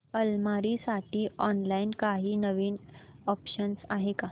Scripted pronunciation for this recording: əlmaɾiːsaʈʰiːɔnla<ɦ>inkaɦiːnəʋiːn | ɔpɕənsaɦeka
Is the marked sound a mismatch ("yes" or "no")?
yes